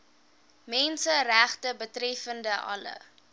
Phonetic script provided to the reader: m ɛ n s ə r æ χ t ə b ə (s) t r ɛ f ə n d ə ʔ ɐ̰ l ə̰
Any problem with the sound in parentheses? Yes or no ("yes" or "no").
yes